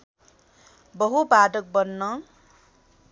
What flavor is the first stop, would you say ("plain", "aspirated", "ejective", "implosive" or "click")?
plain